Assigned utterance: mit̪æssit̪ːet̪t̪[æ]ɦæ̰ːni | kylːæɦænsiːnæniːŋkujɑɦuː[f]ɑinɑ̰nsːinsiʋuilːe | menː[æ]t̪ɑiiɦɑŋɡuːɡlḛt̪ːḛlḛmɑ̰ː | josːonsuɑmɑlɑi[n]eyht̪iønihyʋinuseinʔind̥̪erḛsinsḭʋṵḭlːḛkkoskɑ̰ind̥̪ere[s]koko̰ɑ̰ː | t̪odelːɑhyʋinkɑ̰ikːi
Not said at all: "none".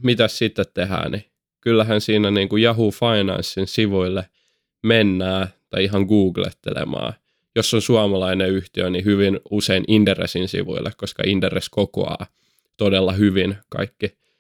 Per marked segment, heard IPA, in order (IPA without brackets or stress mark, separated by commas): e, f, æː, n, s